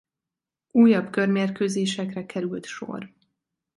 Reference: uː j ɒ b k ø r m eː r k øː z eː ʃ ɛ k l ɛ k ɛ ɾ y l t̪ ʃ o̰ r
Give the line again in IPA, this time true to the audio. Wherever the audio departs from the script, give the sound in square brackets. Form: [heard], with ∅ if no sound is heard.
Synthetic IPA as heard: uː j ɒ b k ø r m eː r k øː z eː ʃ ɛ k [r] ɛ k ɛ ɾ y l t̪ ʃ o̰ r